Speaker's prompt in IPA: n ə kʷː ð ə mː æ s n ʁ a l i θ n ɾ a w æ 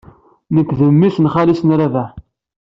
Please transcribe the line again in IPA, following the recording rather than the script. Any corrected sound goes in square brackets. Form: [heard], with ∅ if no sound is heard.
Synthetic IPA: n ə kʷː ð ə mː [i] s n [χ] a l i [s] n ɾ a [v] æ